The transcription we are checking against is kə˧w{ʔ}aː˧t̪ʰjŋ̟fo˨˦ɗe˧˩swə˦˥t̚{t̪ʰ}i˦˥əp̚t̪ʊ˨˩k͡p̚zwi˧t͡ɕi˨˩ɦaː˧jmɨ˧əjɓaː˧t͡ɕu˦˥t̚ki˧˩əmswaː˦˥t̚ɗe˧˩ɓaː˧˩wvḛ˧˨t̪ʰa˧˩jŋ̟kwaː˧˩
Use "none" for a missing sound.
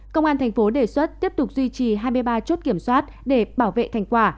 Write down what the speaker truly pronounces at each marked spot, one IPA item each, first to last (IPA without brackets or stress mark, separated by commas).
ʔ, t̪